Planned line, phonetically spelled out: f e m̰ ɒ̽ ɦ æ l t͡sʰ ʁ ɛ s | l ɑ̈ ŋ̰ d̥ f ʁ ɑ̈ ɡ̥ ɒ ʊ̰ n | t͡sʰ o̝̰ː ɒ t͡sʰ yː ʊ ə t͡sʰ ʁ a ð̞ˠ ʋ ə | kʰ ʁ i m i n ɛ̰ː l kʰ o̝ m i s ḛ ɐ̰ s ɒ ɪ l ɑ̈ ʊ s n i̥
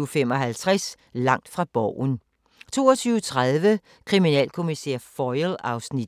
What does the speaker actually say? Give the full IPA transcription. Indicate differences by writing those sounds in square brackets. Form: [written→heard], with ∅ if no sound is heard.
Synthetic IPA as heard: f e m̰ ɒ̽ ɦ æ l t͡sʰ ʁ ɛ s | l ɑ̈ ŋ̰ d̥ f ʁ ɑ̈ [ɡ̥→b̥] ɒ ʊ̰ n | t͡sʰ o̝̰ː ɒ t͡sʰ yː ʊ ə t͡sʰ ʁ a ð̞ˠ ʋ ə | kʰ ʁ i m i n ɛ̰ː l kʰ o̝ m i s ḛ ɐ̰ [s→f] ɒ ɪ l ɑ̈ ʊ s n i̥

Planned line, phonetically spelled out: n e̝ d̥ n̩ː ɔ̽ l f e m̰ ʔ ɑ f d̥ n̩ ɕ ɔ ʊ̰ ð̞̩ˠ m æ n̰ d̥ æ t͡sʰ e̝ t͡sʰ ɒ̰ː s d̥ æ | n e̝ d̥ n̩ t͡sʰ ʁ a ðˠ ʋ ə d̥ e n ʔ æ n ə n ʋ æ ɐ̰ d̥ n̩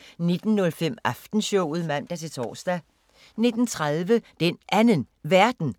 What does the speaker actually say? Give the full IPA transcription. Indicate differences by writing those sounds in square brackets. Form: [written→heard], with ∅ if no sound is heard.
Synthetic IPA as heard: n e̝ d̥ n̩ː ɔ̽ l f e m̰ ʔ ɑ f d̥ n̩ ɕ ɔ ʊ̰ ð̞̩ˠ m æ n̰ d̥ æ t͡sʰ e̝ t͡sʰ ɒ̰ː s d̥ æ | n e̝ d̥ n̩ t͡sʰ ʁ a ðˠ ʋ ə d̥ e n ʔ æ n ə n ʋ æ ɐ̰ d̥ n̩

